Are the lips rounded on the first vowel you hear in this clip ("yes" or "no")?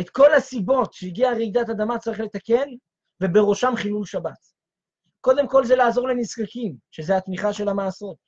no